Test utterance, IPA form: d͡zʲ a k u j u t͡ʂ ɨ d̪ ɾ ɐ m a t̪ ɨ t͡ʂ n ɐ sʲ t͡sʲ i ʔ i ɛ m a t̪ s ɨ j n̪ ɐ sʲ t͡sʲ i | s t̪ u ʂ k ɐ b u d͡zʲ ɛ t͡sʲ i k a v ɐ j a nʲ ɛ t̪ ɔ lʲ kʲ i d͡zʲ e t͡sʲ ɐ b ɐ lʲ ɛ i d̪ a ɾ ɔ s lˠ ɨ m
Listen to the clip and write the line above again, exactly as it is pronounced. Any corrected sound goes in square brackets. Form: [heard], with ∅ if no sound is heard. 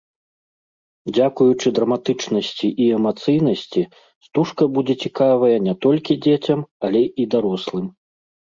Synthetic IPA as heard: d͡zʲ a k u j u t͡ʂ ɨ d̪ ɾ ɐ m a t̪ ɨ t͡ʂ n ɐ sʲ t͡sʲ i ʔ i ɛ m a t̪ s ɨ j n̪ ɐ sʲ t͡sʲ i | s t̪ u ʂ k ɐ b u d͡zʲ ɛ t͡sʲ i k a v ɐ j [ɐ] nʲ ɛ t̪ ɔ lʲ kʲ i d͡zʲ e t͡sʲ ɐ [m] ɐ lʲ ɛ i d̪ a ɾ ɔ s lˠ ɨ m